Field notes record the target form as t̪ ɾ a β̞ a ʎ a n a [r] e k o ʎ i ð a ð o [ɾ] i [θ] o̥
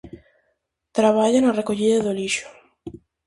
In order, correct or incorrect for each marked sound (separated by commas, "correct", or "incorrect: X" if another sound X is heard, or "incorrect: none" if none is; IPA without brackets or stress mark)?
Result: correct, incorrect: l, incorrect: ʃ